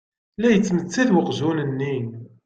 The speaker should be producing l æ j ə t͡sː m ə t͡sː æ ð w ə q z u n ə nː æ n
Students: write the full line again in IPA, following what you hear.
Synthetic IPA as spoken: l æ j ə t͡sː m ə t͡sː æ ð w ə q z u n ə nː i n